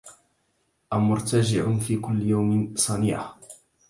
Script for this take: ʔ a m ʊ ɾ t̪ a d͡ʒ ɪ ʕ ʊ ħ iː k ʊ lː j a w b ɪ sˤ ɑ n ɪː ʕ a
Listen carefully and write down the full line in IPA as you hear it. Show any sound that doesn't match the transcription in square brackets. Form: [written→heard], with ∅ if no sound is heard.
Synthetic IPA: ʔ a m ʊ ɾ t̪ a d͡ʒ ɪ ʕ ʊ [ħ→f] iː k ʊ lː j a w [b→m] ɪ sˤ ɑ n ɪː ʕ a